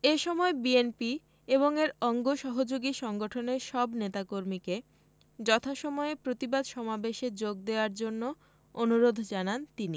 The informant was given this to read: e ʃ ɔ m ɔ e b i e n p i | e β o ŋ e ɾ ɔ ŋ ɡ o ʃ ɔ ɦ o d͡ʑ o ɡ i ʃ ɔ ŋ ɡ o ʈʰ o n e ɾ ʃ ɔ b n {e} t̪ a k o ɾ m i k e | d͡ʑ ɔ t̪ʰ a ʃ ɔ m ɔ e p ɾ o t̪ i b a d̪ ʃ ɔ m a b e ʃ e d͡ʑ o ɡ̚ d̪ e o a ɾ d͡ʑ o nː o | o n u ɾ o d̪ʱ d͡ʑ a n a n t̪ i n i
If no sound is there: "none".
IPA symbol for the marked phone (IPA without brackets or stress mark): e